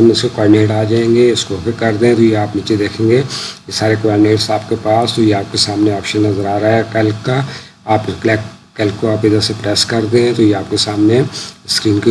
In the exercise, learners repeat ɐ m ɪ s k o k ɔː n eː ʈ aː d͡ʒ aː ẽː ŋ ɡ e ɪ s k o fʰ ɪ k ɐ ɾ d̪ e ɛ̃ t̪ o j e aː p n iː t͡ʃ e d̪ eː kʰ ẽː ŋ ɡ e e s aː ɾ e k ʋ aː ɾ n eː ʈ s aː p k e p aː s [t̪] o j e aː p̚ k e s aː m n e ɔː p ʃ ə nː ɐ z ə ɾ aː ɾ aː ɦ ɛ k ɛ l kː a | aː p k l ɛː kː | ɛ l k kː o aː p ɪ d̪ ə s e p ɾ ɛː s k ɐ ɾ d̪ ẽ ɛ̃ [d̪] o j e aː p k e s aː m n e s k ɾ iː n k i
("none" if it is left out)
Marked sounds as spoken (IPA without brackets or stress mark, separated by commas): t̪, t̪